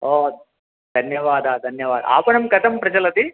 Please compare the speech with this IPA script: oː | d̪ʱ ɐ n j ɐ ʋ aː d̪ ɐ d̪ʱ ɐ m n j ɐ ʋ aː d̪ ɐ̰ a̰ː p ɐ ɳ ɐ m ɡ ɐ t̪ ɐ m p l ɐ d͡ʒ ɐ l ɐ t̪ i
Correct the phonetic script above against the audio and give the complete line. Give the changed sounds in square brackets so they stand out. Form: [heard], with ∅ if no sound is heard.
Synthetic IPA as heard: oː | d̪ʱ ɐ n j ɐ ʋ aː d̪ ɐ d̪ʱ ɐ [∅] n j ɐ ʋ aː d̪ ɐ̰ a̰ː p ɐ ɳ ɐ m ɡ ɐ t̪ ɐ m p [ɾ] ɐ d͡ʒ ɐ l ɐ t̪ i